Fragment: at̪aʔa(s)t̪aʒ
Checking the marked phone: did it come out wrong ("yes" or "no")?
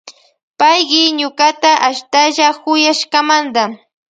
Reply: yes